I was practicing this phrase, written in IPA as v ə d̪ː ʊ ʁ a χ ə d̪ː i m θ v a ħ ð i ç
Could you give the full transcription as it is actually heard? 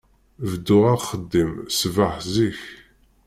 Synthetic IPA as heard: v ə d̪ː ʊ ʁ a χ ə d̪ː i m s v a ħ z i ç